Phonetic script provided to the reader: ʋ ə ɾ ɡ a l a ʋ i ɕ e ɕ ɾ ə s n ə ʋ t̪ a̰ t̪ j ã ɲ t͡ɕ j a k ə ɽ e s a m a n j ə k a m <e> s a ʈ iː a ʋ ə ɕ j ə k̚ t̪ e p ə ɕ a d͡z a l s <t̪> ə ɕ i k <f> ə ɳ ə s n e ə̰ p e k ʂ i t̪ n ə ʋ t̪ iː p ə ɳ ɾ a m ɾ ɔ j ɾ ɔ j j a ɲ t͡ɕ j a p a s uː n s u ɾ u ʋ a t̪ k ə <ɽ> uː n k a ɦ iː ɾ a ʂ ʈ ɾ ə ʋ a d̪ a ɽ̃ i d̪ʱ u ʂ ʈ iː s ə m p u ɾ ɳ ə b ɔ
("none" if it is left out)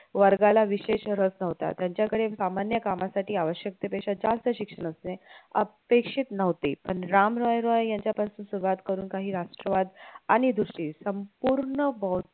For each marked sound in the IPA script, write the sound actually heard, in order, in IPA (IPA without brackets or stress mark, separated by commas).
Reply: a, t̪, ʂ, ɾ